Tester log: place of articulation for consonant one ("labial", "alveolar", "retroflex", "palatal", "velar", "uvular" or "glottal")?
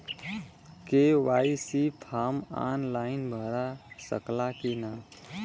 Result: velar